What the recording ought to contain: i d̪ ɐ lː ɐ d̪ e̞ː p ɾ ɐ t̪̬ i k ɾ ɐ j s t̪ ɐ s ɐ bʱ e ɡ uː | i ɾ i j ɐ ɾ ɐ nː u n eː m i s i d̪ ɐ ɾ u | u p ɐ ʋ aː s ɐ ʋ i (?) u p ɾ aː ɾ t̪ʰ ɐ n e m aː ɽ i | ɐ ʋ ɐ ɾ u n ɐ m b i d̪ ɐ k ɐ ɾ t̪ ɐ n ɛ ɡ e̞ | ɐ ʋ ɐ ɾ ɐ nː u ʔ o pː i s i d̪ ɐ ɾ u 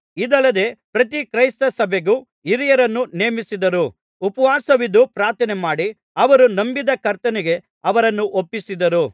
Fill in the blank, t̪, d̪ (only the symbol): d̪